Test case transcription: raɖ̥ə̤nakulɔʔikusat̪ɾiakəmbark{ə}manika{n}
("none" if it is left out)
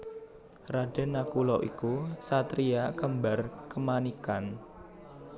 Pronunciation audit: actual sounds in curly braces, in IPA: ə, n

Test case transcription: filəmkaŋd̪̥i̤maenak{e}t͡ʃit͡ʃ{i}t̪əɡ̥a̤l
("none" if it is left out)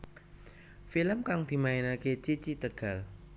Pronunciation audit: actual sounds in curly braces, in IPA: e, i

